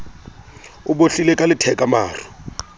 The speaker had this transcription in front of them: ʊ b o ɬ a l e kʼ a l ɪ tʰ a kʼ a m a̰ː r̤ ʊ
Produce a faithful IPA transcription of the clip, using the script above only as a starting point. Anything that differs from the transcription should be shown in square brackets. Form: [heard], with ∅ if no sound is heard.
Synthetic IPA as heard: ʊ b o ɬ [i] l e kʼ a l ɪ tʰ [ɛ] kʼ a m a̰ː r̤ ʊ